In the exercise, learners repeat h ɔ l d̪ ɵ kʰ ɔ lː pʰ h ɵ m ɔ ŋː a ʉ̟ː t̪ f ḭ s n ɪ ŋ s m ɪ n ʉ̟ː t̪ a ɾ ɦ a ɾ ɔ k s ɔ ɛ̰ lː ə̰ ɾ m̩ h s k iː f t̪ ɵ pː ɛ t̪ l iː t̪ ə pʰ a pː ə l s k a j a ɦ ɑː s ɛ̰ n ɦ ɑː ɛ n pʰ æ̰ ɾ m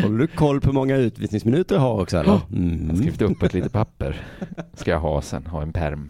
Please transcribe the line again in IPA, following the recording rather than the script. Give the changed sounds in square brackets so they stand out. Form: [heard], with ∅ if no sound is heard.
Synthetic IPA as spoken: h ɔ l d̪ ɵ kʰ ɔ lː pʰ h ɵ m ɔ ŋː a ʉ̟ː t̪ [v] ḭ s n ɪ ŋ s m ɪ n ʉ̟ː t̪ [ə] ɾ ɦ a ɾ ɔ k s ɔ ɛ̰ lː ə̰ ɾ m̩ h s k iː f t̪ ɵ pː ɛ t̪ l iː t̪ ə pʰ a pː ə [ɾ] s k a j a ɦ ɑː s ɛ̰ n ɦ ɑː ɛ n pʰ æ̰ ɾ m